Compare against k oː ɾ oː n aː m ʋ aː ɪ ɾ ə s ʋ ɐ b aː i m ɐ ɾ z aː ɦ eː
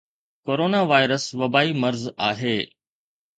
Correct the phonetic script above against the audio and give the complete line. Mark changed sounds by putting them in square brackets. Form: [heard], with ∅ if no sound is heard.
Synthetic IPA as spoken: k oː ɾ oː n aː [∅] ʋ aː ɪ ɾ ə s ʋ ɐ b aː i m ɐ ɾ z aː ɦ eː